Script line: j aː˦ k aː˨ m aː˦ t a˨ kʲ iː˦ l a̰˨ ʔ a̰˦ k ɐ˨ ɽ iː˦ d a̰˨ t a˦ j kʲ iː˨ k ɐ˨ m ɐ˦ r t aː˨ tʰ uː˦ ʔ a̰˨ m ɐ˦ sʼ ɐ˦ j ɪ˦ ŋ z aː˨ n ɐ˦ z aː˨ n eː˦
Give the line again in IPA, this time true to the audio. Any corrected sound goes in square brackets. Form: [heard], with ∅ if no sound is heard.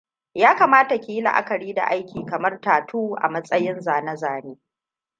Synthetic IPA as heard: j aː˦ k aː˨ m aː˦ t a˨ kʲ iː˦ l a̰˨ ʔ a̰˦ k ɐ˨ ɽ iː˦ d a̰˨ [ʔ] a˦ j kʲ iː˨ k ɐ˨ m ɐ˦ r t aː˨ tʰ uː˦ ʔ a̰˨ m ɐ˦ sʼ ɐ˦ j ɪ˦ [n] z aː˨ n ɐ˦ z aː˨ n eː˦